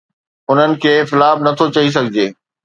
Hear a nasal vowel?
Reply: no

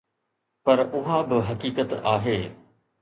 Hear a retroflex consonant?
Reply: no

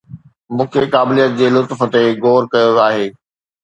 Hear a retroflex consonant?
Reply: no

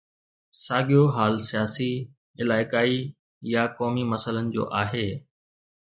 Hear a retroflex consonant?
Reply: no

